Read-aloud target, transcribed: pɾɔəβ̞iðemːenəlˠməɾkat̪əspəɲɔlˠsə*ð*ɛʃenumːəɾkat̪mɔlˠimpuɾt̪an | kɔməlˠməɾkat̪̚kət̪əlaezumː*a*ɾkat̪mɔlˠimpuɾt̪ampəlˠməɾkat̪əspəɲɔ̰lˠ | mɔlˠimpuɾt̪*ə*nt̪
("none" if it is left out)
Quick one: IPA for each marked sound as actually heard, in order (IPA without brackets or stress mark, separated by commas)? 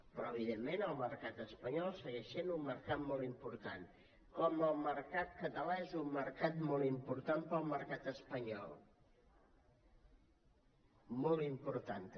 ɣ, ə, a